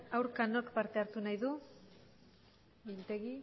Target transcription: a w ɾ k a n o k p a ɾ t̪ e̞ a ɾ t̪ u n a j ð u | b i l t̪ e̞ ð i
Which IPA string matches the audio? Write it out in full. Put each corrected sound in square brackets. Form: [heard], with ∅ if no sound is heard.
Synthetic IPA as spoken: a w ɾ k a n o k p a ɾ t̪ e̞ a ɾ t̪ u n a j ð u | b i l t̪ e̞ [ɣ] i